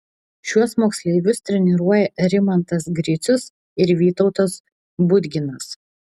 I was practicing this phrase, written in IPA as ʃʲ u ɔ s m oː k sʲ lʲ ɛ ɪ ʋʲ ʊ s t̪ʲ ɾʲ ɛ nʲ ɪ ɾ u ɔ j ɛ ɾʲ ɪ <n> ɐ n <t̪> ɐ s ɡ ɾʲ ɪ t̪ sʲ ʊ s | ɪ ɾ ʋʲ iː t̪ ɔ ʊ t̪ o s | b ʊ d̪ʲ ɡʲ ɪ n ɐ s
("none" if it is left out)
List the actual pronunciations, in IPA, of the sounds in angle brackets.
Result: m, t̪

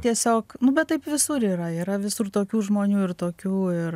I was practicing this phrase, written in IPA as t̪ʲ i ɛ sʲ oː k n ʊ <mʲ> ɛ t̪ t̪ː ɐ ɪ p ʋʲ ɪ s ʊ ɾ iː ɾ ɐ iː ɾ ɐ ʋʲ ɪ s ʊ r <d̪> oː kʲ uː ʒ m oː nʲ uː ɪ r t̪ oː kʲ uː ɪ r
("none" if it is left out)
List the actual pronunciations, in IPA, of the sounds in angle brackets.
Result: bʲ, t̪

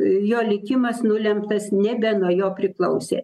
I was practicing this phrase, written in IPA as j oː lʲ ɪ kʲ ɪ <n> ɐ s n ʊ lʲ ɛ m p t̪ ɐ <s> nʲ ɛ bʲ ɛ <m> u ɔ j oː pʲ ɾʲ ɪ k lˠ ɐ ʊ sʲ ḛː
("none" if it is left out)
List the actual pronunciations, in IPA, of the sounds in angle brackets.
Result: m, s, n

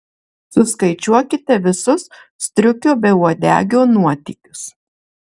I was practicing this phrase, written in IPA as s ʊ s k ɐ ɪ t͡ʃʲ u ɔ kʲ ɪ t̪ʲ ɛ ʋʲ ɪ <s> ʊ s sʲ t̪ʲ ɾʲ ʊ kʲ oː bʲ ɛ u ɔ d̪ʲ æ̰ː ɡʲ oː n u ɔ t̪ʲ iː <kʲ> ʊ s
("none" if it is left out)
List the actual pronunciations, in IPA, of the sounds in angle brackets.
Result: s, kʲ

